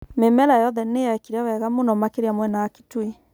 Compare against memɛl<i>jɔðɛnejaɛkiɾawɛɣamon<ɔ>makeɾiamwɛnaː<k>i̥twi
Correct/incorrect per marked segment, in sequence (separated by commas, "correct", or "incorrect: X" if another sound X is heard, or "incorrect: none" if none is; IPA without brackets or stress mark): incorrect: a, correct, correct